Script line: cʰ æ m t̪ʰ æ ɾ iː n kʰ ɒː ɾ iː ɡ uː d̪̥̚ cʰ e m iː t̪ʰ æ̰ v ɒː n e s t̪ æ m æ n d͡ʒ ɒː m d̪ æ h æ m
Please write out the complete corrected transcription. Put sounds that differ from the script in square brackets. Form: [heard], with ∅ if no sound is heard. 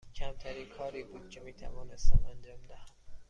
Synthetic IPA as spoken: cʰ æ m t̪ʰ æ ɾ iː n kʰ ɒː ɾ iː [b] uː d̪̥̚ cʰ e m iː t̪ʰ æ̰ v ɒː n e s t̪ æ m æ n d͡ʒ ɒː m d̪ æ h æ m